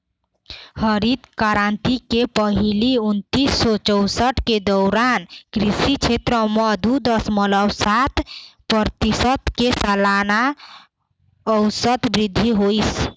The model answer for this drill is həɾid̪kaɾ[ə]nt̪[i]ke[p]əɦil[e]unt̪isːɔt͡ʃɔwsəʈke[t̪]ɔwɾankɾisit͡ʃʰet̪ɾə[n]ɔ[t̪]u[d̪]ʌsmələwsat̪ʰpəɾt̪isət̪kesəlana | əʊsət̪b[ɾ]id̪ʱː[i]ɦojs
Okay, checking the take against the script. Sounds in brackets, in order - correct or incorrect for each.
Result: incorrect: a, correct, correct, incorrect: i, incorrect: d̪, incorrect: m, incorrect: d̪, correct, correct, correct

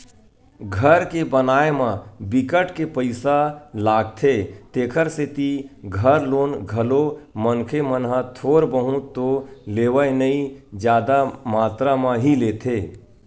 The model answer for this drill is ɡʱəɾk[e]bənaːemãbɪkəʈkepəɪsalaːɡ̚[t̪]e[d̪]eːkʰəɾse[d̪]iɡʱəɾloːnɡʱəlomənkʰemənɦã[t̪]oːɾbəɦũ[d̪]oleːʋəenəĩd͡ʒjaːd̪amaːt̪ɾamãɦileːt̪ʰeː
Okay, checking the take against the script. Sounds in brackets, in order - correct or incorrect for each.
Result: correct, incorrect: t̪ʰ, incorrect: t̪, incorrect: t̪, incorrect: t̪ʰ, incorrect: t̪

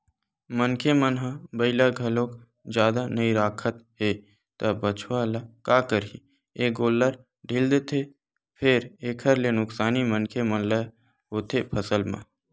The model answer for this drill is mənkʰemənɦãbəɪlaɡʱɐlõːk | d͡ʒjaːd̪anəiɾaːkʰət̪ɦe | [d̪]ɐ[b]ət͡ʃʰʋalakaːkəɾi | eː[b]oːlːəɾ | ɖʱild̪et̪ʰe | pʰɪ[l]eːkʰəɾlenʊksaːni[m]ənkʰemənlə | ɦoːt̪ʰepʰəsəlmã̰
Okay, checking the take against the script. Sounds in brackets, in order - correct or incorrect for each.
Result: incorrect: t̪, correct, incorrect: ɡ, incorrect: ɾ, correct

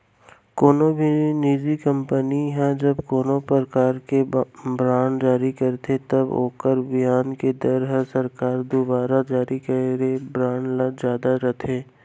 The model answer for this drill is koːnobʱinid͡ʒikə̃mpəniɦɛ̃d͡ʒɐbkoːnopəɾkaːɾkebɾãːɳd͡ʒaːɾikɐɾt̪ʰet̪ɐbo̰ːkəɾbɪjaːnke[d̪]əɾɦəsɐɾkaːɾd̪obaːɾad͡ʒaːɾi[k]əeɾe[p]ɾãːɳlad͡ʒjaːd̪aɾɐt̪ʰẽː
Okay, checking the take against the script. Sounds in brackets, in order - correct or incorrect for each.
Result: correct, correct, incorrect: b

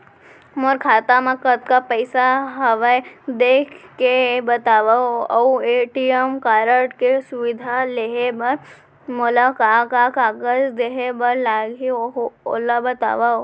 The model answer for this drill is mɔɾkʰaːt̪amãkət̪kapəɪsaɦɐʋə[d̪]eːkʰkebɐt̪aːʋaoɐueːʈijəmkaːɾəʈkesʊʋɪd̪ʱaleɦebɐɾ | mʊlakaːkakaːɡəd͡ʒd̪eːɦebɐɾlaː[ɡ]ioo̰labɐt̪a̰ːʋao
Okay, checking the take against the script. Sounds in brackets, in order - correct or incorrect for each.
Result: correct, correct

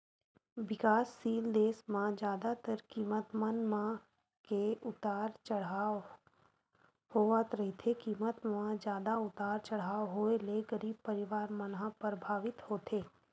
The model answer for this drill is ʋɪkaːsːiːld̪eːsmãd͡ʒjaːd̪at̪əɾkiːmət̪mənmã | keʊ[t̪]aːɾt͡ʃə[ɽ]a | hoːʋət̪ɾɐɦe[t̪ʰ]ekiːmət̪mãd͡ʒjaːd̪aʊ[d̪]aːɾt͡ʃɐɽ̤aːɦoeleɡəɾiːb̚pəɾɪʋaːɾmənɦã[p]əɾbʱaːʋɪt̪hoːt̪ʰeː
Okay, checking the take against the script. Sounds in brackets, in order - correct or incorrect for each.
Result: correct, correct, correct, incorrect: t̪, correct

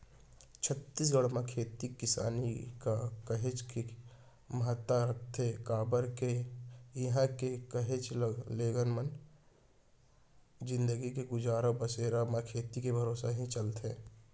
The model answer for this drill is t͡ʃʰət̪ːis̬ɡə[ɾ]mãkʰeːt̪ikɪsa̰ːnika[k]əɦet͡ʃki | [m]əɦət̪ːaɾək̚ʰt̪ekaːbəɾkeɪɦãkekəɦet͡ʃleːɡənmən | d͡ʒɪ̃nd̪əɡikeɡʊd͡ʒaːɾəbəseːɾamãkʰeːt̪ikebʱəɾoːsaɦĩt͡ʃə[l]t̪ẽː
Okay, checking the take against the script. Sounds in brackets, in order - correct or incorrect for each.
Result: incorrect: ɽ, correct, correct, correct

